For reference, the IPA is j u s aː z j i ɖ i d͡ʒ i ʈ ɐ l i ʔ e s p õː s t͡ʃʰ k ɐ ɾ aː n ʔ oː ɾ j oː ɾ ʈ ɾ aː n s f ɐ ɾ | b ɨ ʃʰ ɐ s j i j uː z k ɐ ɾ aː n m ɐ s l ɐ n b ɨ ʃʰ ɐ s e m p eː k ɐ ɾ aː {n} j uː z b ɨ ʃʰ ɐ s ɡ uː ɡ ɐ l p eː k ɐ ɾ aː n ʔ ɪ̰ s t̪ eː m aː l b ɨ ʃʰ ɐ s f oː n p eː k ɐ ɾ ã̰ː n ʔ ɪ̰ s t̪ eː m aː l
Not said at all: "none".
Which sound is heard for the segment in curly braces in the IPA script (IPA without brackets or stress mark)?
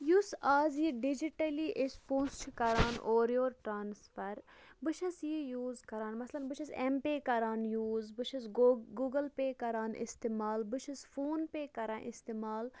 n